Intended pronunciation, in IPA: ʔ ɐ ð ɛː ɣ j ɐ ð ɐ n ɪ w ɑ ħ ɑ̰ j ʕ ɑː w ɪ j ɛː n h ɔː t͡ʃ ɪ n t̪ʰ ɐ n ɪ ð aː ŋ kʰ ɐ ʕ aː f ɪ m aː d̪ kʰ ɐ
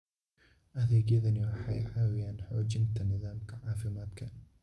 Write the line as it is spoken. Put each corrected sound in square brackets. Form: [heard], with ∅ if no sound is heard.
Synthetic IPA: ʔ ɐ ð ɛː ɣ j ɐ ð ɐ n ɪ w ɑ ħ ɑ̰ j ʕ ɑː w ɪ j [aː] n [ħ] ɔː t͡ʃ ɪ n t̪ʰ ɐ n ɪ ð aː [m] kʰ ɐ ʕ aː f ɪ m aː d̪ kʰ ɐ